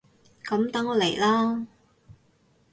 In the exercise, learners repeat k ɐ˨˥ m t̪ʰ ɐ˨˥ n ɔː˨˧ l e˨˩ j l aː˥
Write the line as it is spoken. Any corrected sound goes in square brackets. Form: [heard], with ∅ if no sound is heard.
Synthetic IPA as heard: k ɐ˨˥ m [t̪] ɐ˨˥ [ŋ] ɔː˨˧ l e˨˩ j l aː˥